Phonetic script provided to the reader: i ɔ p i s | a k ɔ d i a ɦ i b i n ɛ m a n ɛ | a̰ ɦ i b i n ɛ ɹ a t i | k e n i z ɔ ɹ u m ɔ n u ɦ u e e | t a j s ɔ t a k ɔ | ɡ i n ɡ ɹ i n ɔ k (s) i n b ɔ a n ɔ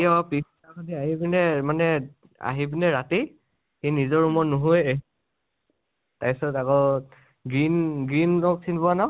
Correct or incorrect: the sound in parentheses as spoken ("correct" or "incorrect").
correct